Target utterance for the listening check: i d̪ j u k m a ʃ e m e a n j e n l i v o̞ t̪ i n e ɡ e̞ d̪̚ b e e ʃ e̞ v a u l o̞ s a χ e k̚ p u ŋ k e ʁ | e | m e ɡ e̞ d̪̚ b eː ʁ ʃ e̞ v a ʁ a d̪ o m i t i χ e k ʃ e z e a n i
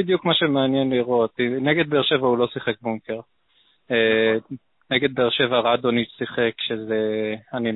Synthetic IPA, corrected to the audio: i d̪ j u k m a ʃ e m e a n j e n l i ʁ o̞ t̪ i n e ɡ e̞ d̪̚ b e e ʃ e̞ v a u l o̞ s i χ e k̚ b u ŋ k e ʁ | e | n e ɡ e̞ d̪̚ b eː ʁ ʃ e̞ v a ʁ a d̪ o n i s i χ e k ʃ e z e a n i